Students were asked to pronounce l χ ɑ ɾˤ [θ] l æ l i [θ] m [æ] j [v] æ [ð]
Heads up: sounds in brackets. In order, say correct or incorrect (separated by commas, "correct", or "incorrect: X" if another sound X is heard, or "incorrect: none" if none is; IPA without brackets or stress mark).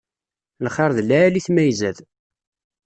incorrect: ð, correct, correct, incorrect: z, correct